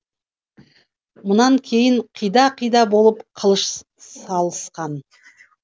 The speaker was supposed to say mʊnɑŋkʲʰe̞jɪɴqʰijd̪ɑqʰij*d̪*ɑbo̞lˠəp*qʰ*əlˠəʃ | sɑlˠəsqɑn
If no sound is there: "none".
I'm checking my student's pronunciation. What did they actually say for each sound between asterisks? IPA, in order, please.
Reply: d̪, qʰ

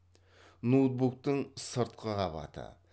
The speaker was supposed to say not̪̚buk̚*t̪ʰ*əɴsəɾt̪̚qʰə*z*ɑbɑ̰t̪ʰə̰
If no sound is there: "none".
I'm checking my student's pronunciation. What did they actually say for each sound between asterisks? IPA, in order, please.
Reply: t̪, ʁ

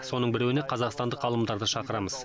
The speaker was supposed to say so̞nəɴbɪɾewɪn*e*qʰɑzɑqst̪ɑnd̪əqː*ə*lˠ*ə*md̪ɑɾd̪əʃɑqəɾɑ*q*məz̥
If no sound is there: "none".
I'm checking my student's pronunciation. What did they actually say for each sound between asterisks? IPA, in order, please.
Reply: e, ɑ, ə, none

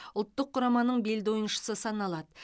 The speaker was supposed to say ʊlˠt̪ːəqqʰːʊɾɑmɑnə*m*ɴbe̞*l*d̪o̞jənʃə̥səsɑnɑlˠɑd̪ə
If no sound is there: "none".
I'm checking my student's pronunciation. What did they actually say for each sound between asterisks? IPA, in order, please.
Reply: none, l

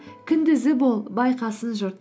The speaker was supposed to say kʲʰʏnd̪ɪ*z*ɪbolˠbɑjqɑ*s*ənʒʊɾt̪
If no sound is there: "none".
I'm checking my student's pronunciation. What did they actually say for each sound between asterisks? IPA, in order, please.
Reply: z, s

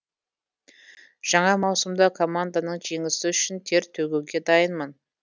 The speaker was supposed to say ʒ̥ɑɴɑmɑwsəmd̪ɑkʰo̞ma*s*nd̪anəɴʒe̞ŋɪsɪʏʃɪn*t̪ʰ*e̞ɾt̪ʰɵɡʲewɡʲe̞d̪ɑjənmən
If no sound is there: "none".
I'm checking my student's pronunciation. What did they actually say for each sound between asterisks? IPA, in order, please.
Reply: none, t̪ʰ

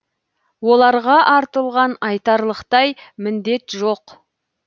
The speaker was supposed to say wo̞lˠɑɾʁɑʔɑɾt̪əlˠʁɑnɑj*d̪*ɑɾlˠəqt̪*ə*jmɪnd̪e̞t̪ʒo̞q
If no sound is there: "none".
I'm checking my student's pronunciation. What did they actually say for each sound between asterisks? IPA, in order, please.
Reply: t̪, ɑ

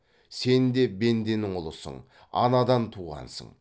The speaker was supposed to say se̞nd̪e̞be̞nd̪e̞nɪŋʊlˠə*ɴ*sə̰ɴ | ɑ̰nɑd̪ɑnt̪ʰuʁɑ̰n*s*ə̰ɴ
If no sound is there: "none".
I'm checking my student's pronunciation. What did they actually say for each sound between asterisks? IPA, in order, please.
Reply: none, s

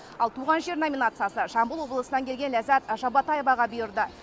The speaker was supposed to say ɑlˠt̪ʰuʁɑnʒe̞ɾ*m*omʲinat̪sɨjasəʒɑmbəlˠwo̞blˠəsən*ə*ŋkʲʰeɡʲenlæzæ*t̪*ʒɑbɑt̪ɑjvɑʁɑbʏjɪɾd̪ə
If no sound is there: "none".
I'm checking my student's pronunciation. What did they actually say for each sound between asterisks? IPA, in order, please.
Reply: n, ɑ, t̪

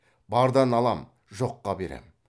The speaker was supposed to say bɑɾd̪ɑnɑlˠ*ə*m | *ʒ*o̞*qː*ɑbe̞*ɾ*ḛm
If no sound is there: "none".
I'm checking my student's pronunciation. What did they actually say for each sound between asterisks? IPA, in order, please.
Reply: ɑ, ʒ, qː, ɾ

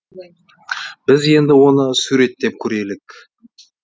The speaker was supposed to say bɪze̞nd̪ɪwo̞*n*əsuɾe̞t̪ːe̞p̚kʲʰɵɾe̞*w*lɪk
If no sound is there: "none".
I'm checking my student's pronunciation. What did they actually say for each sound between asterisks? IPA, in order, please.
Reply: n, none

